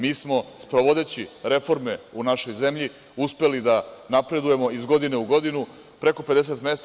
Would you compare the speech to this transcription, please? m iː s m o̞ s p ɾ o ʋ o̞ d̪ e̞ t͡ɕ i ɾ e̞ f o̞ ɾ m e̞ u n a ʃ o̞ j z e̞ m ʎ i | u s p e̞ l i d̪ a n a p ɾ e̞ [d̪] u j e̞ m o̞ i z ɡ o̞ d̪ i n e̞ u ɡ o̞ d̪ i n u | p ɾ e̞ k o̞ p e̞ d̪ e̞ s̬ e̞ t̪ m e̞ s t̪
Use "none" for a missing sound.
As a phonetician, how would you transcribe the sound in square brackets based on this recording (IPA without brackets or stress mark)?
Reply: d̪